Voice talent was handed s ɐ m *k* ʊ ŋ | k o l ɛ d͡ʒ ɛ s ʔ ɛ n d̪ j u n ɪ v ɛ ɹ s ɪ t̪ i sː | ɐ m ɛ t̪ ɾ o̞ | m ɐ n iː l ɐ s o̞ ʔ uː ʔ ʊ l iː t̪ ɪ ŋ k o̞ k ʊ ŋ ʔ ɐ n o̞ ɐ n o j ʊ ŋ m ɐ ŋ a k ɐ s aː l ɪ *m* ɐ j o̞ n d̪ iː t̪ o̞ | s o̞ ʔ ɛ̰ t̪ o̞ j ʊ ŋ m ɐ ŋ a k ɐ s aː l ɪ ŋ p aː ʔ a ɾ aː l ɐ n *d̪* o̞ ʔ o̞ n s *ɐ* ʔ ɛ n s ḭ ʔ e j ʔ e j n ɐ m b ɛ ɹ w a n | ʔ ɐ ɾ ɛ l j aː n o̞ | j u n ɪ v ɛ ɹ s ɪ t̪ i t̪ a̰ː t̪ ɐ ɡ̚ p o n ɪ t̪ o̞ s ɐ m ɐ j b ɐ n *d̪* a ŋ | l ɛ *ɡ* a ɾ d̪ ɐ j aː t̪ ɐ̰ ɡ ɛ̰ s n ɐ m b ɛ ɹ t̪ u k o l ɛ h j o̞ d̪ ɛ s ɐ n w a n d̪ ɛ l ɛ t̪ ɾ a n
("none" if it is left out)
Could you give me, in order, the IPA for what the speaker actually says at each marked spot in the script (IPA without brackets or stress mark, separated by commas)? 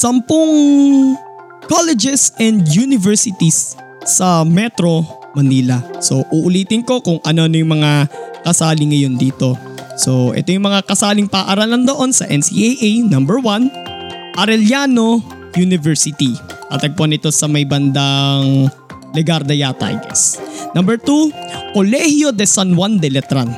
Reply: p, ŋ, d̪, ɐ, d̪, ɡ